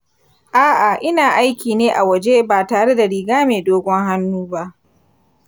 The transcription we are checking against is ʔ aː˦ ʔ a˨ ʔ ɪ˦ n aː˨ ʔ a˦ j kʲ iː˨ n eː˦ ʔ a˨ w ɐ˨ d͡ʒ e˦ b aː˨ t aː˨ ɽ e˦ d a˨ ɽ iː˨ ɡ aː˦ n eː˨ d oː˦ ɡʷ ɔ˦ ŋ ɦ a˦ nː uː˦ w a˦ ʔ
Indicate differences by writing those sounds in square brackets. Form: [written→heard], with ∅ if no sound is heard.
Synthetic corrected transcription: ʔ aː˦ ʔ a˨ ʔ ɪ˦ n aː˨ ʔ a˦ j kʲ iː˨ n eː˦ ʔ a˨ w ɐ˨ d͡ʒ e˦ b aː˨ t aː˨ ɽ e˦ d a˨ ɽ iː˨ ɡ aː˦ [n→m] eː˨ d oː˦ ɡʷ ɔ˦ ŋ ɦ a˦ nː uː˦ [w→b] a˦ ʔ